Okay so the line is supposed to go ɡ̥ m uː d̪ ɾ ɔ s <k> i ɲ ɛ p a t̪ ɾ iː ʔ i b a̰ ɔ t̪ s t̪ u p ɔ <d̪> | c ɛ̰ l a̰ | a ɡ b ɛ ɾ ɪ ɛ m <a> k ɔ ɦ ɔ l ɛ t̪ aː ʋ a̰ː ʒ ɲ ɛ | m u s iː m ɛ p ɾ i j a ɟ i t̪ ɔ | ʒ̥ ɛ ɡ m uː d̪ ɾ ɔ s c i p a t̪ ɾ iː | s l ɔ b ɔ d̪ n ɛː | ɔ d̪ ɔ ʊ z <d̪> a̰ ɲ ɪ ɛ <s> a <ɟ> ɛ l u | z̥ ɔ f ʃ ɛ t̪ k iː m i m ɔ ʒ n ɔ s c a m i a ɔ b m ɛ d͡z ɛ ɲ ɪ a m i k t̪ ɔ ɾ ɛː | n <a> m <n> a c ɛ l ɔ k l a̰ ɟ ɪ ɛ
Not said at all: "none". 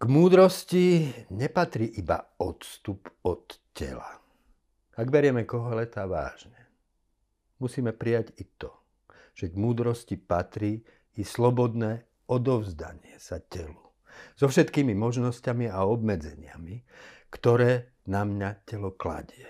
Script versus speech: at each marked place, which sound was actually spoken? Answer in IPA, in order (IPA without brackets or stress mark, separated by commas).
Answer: c, t̪, ɛ, d̪, s, c, a, ɲ